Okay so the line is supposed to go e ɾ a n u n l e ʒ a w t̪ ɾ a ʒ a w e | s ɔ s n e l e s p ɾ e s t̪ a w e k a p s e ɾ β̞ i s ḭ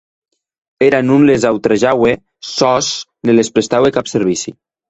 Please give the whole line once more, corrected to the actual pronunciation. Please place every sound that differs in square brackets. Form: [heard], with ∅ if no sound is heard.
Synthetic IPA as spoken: e ɾ a n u n l e [z] a w t̪ ɾ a ʒ a w e | s ɔ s n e l e s p ɾ e s t̪ a w e k a p s e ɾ β̞ i s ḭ